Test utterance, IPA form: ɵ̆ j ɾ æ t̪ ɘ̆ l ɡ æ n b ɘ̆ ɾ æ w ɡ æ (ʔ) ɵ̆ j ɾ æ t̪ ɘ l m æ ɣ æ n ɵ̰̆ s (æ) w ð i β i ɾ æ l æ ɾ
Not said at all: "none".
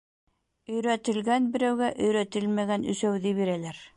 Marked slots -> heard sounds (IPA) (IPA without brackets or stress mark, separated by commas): ʔ, æ